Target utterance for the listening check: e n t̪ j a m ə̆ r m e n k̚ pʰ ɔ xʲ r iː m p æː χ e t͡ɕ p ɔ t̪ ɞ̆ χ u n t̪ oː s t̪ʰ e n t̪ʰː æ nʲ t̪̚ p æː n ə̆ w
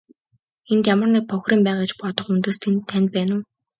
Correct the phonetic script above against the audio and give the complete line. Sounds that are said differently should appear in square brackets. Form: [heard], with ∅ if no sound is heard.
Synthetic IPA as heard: e n t̪ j a m ə̆ r [n] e [∅] k̚ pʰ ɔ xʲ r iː m p æː [ʁ] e t͡ɕ p ɔ t̪ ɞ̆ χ u n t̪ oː s t̪ʰ e n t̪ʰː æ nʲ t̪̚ p æː n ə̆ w